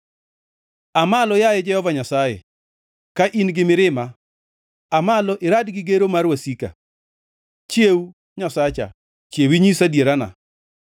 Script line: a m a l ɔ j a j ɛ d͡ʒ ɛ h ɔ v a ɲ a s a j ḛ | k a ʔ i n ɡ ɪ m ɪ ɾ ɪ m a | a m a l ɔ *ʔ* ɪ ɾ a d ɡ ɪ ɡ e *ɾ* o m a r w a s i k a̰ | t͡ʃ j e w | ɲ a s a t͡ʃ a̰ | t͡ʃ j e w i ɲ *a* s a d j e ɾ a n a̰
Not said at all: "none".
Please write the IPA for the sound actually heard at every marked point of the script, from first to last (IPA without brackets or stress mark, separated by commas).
ʔ, ɾ, i